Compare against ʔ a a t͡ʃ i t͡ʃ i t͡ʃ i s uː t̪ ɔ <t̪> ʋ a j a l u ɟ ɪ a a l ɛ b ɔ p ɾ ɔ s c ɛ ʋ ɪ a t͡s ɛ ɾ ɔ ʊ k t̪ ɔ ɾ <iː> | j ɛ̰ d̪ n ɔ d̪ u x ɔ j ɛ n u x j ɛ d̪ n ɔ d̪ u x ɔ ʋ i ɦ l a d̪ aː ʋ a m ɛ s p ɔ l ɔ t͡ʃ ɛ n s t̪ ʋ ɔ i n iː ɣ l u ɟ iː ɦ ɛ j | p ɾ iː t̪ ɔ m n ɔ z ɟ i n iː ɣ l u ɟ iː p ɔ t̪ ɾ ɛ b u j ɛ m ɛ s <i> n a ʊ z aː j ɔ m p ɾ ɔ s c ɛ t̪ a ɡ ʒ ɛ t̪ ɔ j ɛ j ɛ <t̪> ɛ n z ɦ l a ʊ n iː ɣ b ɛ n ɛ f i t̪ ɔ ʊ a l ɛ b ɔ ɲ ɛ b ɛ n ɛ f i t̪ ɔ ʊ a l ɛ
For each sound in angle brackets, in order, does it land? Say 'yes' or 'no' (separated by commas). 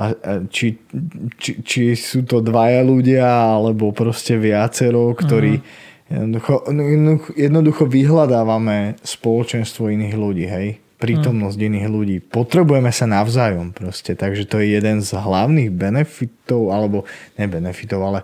no, yes, no, no